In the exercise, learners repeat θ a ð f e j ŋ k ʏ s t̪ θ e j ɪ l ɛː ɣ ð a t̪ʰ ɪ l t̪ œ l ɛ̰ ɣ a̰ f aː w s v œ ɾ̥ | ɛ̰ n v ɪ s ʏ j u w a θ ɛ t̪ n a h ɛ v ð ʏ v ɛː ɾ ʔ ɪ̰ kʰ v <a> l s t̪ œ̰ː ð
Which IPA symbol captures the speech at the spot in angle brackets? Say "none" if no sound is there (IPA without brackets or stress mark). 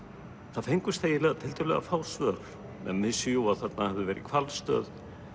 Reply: a